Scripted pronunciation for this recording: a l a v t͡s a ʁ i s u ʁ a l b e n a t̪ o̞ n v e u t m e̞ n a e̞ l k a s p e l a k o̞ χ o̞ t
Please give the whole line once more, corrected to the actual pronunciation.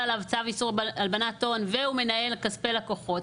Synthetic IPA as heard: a l a v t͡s a v i s u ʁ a l b a n a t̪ o̞ n v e u m e̞ n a e̞ l k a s p e l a k o̞ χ o̞ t

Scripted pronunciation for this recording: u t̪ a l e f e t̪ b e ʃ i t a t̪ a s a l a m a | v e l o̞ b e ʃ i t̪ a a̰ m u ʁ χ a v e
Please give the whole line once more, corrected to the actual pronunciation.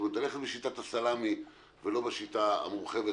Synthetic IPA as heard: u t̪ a l e χ e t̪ b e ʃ i t a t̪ a s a l a m i | v e l o̞ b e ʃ i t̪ a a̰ m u ʁ χ e v e

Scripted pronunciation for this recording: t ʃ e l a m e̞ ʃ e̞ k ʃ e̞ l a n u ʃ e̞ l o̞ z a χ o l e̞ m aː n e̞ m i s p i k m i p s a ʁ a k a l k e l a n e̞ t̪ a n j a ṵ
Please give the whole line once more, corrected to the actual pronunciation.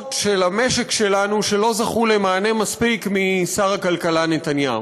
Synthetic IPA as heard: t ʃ e l a m e̞ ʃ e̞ k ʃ e̞ l a n u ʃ e̞ l o̞ z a χ u l e̞ m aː n e̞ m a s p i k m i s a ʁ a k a l k a l a n e̞ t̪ a n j a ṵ

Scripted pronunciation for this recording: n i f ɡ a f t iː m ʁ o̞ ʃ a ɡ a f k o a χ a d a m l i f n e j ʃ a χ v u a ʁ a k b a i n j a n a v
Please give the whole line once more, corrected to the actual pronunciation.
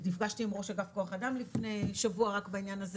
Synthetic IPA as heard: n i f ɡ a ʃ t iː m ʁ o̞ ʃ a ɡ a f k o a χ a d a m l i f n e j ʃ a v u a ʁ a k b a i n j a n a z

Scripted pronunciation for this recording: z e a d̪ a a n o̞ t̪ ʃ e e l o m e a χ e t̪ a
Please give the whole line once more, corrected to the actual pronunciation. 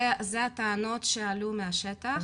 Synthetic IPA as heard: z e a t̪ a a n o̞ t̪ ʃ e a l u m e a ʃ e t̪ a

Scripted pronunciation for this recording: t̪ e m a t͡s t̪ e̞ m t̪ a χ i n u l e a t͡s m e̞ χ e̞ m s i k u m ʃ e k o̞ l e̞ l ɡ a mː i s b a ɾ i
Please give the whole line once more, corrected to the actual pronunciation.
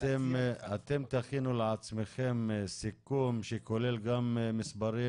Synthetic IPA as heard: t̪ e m a t̪ e̞ m t̪ a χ i n u l e a t͡s m e̞ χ e̞ m s i k u m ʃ e k o̞ l e̞ l ɡ a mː i s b a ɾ i

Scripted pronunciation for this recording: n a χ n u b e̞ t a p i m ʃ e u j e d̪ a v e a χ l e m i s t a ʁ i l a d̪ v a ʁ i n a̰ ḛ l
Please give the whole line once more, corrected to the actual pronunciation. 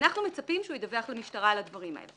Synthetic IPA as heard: n a χ n u m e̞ t͡s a p i m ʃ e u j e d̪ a v e a χ l e m i ʃ t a ʁ a l a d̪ v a ʁ i m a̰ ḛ l

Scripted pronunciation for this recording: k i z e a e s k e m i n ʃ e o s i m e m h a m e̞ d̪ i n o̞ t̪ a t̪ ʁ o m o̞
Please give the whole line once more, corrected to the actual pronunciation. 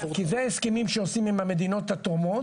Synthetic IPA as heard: k i z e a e s k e m i m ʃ e o s i m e m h a m e̞ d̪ i n o̞ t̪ a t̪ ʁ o m o̞

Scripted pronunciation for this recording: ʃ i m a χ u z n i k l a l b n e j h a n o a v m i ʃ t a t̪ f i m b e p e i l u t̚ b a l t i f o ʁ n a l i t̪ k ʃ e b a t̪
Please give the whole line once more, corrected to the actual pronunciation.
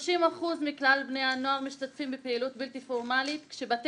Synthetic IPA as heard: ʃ i m a χ u z m i k l a l b n e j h a n o a ʁ m i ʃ t a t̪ f i m b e p e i l u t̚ b i l t i f o ʁ m a l i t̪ k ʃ e b a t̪

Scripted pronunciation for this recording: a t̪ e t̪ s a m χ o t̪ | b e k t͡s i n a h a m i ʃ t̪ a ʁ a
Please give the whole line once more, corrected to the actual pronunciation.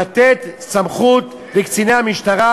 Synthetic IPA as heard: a t̪ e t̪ s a m χ u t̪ | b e k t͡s i n e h a m i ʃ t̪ a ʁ a

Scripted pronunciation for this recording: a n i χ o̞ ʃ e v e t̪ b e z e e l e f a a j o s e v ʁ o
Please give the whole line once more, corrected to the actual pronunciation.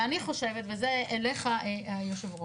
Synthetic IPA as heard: a n i χ o̞ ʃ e v e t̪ v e z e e l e χ a a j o ʃ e v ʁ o

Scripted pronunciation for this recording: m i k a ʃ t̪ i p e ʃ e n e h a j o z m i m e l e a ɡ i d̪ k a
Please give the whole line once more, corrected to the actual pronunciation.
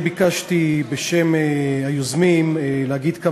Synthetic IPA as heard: b i k a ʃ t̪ i b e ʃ e m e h a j o z m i m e l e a ɡ i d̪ k a

